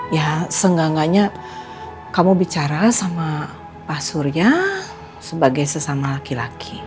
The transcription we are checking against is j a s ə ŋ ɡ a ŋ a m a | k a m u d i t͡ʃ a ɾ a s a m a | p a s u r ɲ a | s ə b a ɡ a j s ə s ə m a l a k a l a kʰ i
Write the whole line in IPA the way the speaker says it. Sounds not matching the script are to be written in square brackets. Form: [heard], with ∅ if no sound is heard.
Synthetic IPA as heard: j a s ə ŋ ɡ a ŋ a [ɲ] a | k a m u [b] i t͡ʃ a ɾ a s a m a | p a s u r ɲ a | s ə b a ɡ a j s ə s [a] m a l a k [i] l a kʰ i

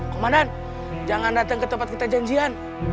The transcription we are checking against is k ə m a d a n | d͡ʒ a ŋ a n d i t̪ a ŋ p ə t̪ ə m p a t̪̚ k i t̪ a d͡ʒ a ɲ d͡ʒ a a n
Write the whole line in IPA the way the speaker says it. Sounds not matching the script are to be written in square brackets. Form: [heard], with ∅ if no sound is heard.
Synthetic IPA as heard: k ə m a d a n | d͡ʒ a ŋ a n d [a] t̪ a ŋ [k] ə t̪ ə m p a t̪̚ k i t̪ a d͡ʒ a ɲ d͡ʒ [i] a n

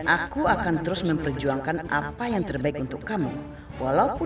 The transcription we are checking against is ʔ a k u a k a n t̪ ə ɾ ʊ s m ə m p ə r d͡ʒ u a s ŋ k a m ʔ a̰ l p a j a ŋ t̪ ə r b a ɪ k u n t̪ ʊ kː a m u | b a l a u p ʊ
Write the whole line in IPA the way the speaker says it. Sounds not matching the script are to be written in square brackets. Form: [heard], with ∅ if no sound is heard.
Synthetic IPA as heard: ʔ a k u a k a n t̪ ə ɾ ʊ s m ə m p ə r d͡ʒ u a [∅] ŋ k a [n] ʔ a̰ [∅] p a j a ŋ t̪ ə r b a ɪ k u n t̪ ʊ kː a m u | [w] a l a u p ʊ

